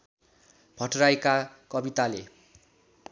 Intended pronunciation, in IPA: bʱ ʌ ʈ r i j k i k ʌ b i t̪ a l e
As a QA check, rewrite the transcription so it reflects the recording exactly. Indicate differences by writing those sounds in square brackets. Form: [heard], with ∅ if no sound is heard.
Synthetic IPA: bʱ ʌ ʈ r [a] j k [a] k ʌ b i t̪ a l e